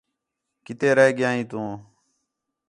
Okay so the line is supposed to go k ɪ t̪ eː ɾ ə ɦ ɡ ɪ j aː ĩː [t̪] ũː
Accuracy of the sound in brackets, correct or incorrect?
correct